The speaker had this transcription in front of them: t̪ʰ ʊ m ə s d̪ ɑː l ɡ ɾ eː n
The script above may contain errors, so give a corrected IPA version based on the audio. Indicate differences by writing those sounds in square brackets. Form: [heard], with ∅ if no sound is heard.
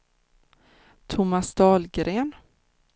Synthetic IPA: t̪ʰ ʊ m [a] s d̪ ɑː l ɡ ɾ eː n